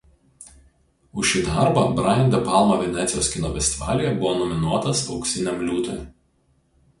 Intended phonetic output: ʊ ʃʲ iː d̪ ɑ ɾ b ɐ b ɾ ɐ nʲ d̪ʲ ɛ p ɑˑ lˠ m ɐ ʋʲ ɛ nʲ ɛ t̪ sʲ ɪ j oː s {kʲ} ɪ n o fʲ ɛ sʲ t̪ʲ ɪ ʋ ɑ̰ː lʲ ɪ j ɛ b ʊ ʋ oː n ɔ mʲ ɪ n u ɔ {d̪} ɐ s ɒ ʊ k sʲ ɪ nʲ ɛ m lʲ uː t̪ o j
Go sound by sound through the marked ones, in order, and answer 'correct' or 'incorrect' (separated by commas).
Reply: correct, incorrect